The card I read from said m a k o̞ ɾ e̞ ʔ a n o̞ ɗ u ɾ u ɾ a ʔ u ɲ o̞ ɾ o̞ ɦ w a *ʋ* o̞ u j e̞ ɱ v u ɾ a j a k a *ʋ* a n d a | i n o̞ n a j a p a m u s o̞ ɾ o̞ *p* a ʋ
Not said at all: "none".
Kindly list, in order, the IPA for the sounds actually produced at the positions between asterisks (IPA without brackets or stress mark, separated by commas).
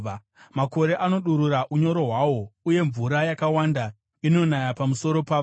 w, w, p